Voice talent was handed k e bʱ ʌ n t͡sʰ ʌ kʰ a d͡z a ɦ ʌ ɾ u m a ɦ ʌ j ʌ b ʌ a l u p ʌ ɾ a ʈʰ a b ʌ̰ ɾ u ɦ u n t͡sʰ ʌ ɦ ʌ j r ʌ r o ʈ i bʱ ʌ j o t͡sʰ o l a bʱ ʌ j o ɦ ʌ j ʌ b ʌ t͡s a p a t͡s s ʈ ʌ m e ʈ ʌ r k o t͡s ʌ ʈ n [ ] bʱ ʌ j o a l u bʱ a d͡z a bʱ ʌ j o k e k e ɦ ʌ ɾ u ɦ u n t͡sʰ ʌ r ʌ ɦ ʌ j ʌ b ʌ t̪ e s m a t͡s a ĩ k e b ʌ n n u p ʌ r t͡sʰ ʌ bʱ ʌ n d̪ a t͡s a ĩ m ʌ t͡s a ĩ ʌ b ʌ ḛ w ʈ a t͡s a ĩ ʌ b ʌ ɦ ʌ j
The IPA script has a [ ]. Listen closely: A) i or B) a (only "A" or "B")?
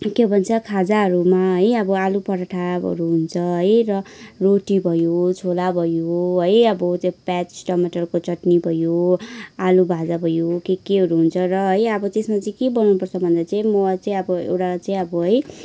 A